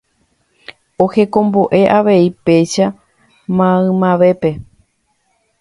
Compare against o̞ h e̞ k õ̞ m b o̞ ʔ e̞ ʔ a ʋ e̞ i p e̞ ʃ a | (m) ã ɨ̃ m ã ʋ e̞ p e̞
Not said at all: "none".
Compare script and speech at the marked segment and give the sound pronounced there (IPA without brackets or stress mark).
m